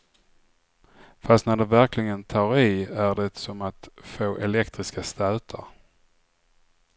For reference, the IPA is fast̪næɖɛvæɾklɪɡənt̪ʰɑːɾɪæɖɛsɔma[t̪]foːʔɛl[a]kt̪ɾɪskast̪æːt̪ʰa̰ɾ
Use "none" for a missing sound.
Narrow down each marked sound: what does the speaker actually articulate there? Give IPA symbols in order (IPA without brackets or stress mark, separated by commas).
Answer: t̪, ɛ